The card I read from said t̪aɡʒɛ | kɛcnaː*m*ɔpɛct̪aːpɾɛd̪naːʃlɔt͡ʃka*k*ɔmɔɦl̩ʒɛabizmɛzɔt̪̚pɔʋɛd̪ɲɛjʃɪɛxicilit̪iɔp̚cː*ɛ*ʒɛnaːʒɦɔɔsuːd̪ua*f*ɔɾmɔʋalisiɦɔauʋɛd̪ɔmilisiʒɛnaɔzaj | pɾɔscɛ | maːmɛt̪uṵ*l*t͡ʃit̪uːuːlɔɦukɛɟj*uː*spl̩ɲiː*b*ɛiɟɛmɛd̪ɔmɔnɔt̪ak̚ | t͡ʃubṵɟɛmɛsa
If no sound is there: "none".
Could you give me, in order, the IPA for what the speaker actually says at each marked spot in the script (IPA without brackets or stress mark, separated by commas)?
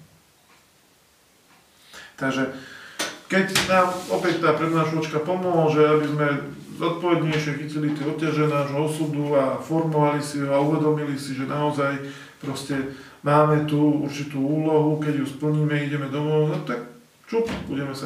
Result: m, p, a, f, ɾ, u, m